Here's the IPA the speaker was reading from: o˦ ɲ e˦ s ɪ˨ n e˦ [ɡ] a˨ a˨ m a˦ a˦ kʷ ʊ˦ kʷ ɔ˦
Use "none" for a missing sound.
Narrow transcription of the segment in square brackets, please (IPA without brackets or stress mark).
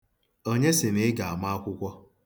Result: ɡ